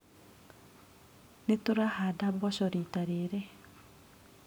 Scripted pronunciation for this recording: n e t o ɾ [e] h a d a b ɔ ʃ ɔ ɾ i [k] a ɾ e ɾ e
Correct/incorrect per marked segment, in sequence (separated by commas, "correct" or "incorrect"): incorrect, incorrect